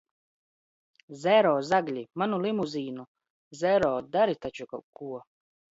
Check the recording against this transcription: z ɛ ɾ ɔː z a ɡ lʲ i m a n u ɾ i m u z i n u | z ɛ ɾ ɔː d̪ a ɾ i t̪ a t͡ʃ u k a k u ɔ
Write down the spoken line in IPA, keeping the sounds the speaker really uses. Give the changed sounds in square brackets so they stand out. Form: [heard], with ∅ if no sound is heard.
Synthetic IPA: z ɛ ɾ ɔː z a ɡ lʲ i m a n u [l] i m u z [iː] n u | z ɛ ɾ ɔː d̪ a ɾ i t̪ a t͡ʃ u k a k u ɔ